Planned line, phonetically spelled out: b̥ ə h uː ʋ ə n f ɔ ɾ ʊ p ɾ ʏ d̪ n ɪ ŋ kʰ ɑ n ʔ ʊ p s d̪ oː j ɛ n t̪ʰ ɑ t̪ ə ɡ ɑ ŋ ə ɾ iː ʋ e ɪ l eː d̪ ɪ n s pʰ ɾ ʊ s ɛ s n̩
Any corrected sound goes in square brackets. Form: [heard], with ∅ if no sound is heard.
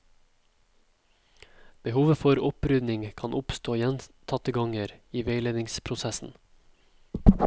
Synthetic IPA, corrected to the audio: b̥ ə h uː ʋ ə [∅] f ɔ ɾ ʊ p ɾ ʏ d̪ n ɪ ŋ kʰ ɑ n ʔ ʊ p s [t̪] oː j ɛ n t̪ʰ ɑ t̪ ə ɡ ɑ ŋ ə ɾ iː ʋ e ɪ l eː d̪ ɪ [ŋ] s pʰ ɾ ʊ s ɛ s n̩